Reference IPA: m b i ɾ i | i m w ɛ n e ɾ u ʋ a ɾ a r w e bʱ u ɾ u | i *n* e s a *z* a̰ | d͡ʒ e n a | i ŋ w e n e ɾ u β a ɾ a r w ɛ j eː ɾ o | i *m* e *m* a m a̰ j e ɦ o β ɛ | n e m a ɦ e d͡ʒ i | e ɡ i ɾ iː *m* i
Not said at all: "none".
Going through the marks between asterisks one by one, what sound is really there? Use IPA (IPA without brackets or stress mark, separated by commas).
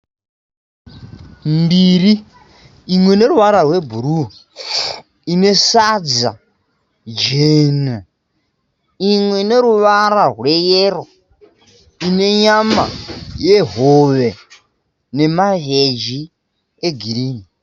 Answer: n, d͡z, n, ɲ, n